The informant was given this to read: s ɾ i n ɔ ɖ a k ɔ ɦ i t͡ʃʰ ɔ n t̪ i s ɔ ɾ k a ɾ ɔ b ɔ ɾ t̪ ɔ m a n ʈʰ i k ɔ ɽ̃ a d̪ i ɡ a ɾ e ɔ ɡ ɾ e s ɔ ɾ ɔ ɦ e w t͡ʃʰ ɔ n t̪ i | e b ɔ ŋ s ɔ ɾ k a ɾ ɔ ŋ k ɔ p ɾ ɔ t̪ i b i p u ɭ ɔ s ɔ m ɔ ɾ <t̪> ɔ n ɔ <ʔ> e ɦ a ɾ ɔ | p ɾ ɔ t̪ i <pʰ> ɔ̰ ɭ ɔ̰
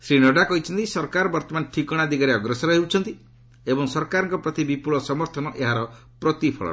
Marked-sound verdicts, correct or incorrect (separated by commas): incorrect, correct, correct